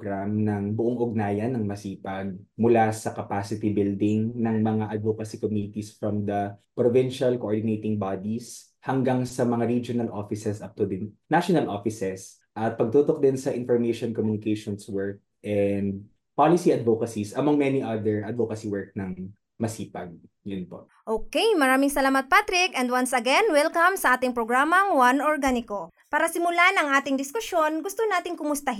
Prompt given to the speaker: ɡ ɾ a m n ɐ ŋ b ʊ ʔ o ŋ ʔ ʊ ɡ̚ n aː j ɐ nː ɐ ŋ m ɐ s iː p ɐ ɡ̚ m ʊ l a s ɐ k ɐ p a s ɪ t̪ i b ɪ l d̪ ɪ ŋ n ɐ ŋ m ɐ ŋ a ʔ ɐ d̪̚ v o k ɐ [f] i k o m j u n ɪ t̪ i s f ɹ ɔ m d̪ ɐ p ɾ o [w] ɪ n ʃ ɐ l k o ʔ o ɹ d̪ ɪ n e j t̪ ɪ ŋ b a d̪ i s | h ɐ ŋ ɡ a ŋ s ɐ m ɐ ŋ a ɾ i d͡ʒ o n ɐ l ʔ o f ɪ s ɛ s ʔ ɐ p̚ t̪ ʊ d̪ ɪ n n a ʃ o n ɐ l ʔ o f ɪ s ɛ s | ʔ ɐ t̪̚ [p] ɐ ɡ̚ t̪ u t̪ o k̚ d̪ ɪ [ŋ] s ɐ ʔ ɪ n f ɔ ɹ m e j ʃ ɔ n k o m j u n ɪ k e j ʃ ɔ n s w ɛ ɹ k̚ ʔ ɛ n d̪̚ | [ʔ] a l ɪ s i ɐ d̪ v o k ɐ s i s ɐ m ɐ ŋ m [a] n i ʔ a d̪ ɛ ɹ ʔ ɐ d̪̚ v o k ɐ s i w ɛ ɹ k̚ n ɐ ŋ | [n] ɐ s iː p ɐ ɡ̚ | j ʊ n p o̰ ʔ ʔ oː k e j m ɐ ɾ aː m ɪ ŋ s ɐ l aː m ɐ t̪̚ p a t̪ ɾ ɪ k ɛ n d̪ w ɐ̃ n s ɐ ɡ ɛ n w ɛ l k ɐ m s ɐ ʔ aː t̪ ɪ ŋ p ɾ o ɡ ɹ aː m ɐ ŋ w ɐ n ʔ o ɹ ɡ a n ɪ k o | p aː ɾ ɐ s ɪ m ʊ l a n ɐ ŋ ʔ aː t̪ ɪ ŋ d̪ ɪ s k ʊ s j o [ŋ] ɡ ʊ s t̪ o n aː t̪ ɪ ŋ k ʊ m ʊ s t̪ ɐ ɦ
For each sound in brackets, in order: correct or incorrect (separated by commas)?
incorrect, incorrect, correct, incorrect, incorrect, incorrect, incorrect, incorrect